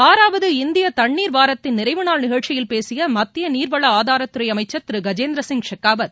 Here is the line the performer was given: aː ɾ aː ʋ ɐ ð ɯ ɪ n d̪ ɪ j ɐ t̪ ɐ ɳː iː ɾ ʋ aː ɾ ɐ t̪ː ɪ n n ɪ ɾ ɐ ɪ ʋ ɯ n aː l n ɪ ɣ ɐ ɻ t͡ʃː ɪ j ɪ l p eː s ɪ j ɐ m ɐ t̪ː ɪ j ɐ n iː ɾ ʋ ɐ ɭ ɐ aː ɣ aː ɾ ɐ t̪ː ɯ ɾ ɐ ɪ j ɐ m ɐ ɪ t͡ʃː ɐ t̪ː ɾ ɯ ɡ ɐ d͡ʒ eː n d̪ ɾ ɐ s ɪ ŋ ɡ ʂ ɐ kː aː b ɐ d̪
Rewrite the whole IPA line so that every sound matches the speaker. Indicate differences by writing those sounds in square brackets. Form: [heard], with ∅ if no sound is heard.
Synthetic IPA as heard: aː ɾ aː ʋ ɐ ð ɯ ɪ n d̪ ɪ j ɐ t̪ ɐ ɳː iː ɾ ʋ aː ɾ ɐ t̪ː ɪ n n ɪ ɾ ɐ ɪ ʋ ɯ n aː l n ɪ ɣ ɐ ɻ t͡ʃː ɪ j ɪ l p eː s ɪ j ɐ m ɐ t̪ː ɪ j ɐ n iː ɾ ʋ ɐ ɭ ɐ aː [ð] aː ɾ ɐ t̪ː ɯ ɾ ɐ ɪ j ɐ m ɐ ɪ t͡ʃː ɐ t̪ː ɾ ɯ ɡ ɐ d͡ʒ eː n d̪ ɾ ɐ s ɪ ŋ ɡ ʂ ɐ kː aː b ɐ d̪